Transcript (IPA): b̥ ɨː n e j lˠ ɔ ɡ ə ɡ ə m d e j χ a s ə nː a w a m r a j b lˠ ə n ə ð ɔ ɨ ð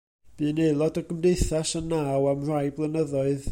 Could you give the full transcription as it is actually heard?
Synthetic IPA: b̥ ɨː n e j lˠ ɔ d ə ɡ ə m d e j θ a s ə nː a w a m r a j b lˠ ə n ə ð ɔ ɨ ð